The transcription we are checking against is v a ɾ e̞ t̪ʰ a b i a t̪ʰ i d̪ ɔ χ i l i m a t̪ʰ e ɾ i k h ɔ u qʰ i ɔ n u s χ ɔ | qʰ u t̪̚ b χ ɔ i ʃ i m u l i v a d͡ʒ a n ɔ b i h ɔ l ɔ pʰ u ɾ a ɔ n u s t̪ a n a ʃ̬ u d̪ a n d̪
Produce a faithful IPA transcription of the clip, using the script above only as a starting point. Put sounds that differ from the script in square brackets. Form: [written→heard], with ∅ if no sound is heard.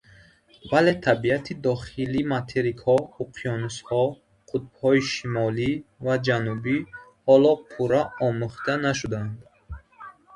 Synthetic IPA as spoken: v a [ɾ→l] e̞ t̪ʰ a b i a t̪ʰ i d̪ ɔ χ i l i m a t̪ʰ e ɾ i k h ɔ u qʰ i ɔ n u s [χ→h] ɔ | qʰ u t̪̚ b [χ→h] ɔ i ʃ i m [u→ɔ] l i v a d͡ʒ a n [ɔ→u] b i h ɔ l ɔ pʰ u ɾ a ɔ [n→m] u [s→χ] t̪ a n a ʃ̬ u d̪ a n d̪

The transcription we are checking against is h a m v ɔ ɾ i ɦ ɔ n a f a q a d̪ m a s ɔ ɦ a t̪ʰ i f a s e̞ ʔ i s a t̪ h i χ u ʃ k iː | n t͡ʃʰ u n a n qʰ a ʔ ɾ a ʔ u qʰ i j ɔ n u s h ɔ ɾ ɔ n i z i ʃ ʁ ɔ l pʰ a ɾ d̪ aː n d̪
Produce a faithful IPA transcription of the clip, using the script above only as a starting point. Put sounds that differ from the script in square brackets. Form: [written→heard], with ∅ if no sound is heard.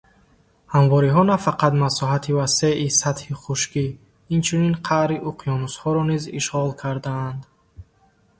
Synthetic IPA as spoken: h a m v ɔ ɾ i ɦ ɔ n a f a q a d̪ m a s ɔ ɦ a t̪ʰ i [f→v] a s e̞ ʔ i s a t̪ h i χ u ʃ k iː | n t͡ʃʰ u n [a→i] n qʰ a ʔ ɾ [a→i] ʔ u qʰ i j ɔ n u s h ɔ ɾ ɔ n i z i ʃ ʁ ɔ l [pʰ→kʰ] a ɾ d̪ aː n d̪

